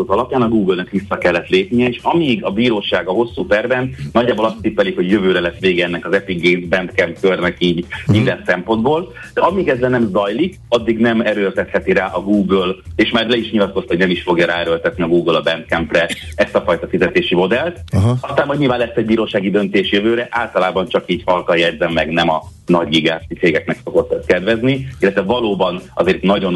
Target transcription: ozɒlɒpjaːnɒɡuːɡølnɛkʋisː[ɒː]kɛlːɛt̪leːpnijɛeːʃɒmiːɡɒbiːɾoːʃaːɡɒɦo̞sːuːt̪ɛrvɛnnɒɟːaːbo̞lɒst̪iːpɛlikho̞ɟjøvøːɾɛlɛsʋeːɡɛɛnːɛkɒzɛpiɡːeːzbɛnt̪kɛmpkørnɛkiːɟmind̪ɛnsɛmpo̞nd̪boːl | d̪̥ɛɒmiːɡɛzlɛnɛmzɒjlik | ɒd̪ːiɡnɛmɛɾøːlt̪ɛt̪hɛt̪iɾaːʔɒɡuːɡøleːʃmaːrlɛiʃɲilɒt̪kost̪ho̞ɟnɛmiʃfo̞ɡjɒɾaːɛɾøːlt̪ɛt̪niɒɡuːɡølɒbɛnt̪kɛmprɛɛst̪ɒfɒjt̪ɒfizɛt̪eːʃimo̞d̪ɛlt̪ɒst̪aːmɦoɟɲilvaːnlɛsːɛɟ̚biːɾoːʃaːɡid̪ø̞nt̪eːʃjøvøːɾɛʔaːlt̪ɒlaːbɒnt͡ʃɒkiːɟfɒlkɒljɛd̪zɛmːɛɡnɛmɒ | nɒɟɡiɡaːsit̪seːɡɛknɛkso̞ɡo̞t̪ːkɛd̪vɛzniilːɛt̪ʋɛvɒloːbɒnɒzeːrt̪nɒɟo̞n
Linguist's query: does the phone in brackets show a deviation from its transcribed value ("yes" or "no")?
yes